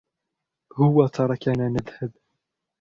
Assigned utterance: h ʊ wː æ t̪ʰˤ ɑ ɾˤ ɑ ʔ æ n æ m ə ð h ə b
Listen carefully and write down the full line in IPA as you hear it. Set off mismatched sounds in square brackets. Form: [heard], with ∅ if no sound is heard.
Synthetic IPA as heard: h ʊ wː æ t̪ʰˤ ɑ ɾˤ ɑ [k] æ n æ [n] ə ð h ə b